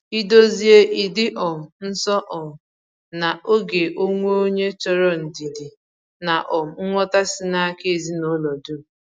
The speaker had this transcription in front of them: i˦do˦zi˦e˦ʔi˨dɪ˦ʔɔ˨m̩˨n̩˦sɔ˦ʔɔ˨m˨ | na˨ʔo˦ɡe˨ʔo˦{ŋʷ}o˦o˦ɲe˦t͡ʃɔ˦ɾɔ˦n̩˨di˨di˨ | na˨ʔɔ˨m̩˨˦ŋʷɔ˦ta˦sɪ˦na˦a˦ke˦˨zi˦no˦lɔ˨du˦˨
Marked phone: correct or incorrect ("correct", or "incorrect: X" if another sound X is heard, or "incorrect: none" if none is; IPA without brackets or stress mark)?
correct